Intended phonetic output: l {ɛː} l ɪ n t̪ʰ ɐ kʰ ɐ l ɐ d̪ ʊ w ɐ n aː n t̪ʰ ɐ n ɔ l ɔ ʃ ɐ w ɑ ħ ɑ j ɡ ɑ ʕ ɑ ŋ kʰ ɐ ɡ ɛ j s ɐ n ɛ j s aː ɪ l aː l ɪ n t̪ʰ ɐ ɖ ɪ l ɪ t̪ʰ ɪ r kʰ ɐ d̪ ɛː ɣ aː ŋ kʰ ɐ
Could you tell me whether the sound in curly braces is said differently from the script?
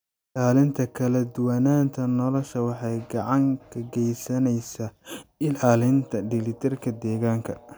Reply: yes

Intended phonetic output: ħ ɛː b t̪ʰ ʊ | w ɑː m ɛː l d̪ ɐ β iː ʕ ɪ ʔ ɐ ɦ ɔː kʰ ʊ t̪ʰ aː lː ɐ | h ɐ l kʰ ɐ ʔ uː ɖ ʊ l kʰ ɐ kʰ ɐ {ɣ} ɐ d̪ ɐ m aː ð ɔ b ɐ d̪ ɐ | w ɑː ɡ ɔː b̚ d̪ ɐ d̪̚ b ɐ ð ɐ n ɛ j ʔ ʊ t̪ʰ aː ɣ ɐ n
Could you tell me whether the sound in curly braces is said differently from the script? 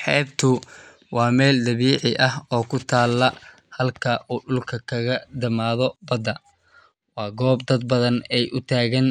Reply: no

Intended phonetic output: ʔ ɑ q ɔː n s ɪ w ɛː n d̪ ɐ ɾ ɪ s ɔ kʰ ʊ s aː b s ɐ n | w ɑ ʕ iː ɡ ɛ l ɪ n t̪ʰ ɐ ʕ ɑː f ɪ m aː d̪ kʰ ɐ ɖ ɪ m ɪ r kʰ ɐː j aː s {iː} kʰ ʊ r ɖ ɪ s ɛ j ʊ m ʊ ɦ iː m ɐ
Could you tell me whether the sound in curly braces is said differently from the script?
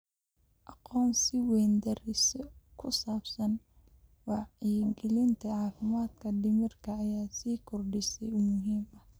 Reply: no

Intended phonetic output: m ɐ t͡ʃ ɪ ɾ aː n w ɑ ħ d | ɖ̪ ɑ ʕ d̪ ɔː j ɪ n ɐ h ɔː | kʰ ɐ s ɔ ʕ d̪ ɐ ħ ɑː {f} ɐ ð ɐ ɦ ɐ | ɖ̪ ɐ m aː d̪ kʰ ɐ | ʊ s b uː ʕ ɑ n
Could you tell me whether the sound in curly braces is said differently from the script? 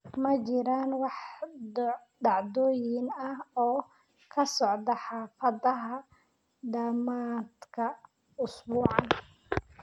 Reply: no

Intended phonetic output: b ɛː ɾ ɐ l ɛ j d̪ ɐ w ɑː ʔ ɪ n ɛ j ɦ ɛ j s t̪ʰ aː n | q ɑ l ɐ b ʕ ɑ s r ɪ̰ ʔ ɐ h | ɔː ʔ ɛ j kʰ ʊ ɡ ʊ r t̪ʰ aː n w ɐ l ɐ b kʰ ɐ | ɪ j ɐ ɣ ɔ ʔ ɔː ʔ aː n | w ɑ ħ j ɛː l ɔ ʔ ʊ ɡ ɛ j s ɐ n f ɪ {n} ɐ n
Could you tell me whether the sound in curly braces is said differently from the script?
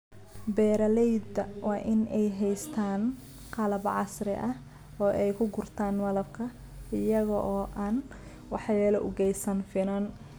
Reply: no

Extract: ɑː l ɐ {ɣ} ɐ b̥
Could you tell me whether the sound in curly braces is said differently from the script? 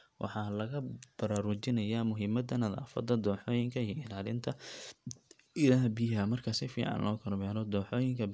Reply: no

